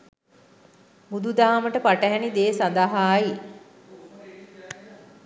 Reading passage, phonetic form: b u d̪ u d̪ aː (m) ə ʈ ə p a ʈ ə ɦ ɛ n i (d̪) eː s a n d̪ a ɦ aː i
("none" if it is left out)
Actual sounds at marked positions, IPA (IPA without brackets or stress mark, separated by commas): m, d̪